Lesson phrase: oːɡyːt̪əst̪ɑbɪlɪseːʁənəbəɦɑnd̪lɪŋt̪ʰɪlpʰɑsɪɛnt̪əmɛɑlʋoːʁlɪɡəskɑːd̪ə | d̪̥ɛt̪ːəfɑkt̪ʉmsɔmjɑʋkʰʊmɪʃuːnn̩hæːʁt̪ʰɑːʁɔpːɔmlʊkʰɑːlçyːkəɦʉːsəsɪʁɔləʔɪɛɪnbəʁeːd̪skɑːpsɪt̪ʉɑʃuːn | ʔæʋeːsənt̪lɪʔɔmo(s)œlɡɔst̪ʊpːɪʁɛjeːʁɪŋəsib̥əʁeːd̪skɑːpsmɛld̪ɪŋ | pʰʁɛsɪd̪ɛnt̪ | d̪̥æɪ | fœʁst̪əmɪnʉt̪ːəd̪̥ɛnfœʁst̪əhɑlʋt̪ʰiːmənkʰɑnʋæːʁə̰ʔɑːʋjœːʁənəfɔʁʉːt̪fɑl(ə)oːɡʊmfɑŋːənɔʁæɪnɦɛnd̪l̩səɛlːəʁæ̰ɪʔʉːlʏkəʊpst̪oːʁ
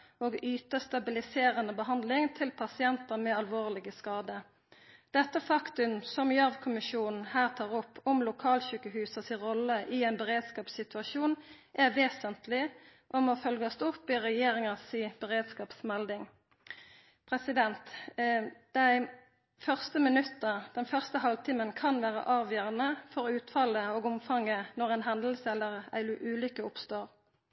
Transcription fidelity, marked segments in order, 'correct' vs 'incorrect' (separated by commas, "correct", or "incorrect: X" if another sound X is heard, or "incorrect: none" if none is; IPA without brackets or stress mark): incorrect: f, correct